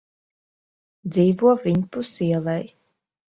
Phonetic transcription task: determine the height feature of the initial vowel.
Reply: high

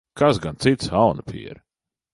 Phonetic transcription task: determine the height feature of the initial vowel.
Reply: low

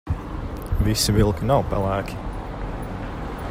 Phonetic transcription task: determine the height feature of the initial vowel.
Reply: high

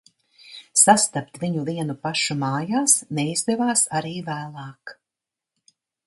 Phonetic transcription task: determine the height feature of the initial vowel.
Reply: low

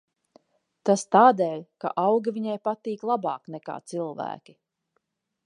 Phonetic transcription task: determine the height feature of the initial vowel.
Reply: low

